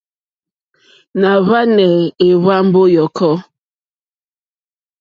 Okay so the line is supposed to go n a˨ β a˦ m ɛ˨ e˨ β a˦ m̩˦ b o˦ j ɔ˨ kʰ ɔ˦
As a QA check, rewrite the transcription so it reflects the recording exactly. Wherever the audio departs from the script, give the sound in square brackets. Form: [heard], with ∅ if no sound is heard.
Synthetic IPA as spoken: n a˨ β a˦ [n] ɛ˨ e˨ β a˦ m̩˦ b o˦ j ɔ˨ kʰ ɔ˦